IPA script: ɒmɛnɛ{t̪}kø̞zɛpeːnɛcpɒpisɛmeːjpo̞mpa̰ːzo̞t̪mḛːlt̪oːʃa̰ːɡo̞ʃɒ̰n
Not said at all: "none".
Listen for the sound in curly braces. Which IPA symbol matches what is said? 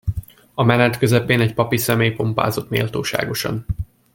t̪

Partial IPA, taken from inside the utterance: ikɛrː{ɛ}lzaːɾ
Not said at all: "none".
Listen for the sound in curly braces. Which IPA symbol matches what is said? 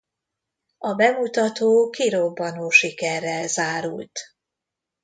ɛ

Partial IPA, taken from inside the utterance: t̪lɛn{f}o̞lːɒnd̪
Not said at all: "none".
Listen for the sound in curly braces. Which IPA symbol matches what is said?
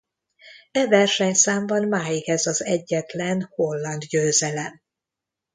h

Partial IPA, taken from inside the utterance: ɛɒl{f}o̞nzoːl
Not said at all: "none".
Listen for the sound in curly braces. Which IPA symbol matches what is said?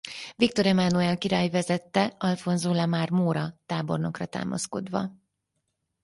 f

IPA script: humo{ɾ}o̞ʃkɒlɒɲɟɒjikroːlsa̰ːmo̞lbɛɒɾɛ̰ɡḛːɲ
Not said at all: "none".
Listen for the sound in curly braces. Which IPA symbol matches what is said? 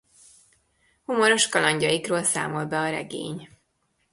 ɾ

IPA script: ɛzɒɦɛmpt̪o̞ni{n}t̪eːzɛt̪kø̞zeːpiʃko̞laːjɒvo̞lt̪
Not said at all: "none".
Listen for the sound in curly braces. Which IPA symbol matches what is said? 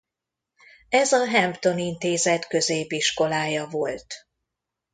n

